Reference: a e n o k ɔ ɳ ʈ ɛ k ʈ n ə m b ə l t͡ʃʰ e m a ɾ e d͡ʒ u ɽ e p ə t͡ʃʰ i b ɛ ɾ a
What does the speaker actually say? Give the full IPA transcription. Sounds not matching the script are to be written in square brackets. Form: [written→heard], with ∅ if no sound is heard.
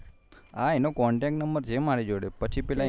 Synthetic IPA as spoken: a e n o k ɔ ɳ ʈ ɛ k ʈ n ə m b ə [l→ɾ] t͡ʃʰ e m a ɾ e d͡ʒ [u→o] ɽ e p ə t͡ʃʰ i [b→p] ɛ [ɾ→l] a